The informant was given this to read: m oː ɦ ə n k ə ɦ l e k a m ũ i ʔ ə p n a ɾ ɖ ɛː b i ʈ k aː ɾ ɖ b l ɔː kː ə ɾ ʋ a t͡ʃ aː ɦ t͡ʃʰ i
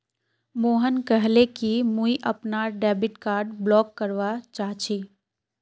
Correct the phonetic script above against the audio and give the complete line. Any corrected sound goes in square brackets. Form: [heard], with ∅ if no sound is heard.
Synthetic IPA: m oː ɦ ə n k ə ɦ l e k [i] m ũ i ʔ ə p n a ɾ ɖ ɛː b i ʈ k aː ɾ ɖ b l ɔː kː ə ɾ ʋ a t͡ʃ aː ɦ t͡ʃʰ i